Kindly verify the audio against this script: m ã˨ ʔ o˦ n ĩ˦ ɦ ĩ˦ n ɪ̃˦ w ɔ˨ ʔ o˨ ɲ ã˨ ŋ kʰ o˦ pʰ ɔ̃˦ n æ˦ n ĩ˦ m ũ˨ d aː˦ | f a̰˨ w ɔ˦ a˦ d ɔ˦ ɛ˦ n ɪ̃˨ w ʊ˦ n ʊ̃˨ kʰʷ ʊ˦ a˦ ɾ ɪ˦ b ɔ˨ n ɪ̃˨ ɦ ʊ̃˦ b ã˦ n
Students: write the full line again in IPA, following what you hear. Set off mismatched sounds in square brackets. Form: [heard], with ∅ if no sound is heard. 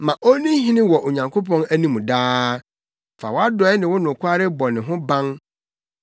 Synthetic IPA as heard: m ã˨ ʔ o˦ n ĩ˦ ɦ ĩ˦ n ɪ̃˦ w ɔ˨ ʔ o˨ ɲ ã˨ ŋ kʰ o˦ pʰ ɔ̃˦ n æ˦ n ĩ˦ m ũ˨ d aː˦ | f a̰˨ w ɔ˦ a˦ d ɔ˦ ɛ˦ n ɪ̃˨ w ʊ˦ n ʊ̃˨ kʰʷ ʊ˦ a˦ ɾ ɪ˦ b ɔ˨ n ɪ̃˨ ɦ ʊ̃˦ b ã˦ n